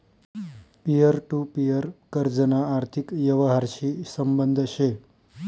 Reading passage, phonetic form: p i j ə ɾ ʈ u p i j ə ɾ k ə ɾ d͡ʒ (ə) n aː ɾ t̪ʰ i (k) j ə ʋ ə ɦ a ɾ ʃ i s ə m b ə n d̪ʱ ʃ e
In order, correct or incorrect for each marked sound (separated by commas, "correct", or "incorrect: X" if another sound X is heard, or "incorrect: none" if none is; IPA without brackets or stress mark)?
correct, correct